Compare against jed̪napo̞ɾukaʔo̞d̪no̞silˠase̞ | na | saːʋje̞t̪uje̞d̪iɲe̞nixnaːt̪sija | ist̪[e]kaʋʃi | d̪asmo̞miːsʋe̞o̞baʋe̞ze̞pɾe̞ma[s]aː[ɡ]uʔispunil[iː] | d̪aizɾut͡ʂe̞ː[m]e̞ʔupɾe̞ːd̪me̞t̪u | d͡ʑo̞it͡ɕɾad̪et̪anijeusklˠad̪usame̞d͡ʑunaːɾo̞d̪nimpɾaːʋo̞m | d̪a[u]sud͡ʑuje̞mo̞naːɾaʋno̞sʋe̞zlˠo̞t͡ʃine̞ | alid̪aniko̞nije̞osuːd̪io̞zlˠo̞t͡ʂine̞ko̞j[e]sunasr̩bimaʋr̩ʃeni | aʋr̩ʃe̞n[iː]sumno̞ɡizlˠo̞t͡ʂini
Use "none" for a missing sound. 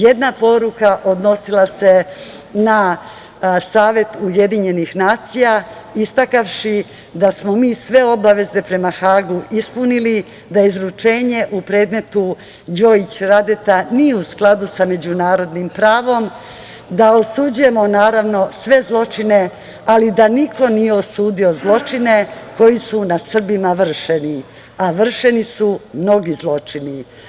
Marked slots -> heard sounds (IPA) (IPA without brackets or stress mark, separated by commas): a, x, ɡ, i, ɲ, o, i, i